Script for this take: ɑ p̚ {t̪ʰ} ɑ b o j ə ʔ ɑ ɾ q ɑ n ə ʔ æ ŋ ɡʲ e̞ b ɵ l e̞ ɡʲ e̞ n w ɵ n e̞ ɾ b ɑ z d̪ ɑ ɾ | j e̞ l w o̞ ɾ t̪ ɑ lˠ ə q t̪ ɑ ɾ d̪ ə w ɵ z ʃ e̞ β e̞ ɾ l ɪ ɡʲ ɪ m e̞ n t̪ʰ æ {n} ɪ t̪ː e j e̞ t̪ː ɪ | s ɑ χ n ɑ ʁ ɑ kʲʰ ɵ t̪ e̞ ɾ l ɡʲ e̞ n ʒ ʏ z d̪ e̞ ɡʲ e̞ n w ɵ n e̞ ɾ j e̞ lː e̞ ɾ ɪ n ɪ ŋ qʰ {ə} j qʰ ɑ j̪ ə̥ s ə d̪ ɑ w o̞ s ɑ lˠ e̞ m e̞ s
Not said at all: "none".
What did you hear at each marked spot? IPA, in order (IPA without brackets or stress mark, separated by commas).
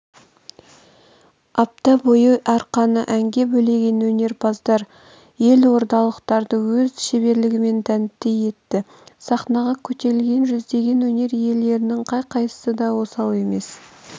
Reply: t̪, n, ɑ